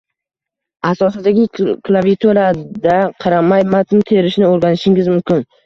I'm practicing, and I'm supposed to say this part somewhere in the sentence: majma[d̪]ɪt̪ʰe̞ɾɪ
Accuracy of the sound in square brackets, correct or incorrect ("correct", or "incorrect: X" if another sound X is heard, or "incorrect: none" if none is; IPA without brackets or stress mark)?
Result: incorrect: t̪